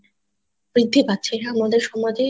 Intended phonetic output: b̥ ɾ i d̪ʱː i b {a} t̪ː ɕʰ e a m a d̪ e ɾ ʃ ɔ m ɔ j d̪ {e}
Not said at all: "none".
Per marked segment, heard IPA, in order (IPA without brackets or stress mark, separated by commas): a, e